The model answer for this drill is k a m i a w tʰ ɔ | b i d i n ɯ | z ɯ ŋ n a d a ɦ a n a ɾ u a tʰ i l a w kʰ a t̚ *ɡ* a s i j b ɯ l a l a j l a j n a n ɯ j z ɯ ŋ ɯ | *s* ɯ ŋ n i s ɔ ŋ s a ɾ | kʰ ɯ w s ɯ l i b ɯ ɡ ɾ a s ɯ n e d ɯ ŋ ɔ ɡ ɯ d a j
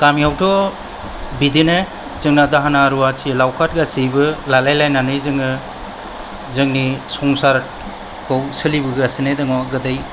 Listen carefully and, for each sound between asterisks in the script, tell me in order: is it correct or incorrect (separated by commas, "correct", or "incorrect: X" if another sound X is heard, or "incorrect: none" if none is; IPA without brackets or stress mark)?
correct, incorrect: z